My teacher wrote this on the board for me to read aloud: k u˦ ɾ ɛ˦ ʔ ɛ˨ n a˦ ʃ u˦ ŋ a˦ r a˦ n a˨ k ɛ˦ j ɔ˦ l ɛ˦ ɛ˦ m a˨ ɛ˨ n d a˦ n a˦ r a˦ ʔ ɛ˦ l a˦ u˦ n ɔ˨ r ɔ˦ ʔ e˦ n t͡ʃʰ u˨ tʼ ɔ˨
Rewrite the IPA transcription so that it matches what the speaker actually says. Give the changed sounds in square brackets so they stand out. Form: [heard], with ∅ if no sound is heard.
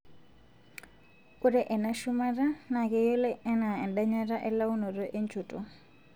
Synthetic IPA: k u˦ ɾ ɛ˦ ʔ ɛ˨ n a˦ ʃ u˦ [m] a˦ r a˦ n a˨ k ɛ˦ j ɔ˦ l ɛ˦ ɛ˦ [n] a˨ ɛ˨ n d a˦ [ɲ] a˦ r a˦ ʔ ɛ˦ l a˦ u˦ n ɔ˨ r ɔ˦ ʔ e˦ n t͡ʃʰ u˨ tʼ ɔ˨